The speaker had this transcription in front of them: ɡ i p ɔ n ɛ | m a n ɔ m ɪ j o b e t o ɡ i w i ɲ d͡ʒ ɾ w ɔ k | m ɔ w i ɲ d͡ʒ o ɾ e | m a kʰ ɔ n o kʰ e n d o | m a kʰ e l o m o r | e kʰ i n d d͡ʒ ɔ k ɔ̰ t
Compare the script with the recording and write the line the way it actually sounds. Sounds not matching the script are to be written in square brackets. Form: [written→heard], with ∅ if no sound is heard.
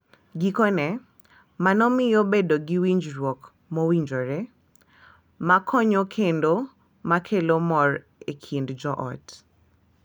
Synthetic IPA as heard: ɡ i [p→k] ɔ n ɛ | m a n ɔ m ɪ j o b e [t→d] o ɡ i w i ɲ d͡ʒ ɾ w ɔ k | m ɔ w i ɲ d͡ʒ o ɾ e | m a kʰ ɔ [n→ɲ] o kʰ e n d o | m a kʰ e l o m [o→ɔ] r | e kʰ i n d d͡ʒ ɔ [k→ʔ] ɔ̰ t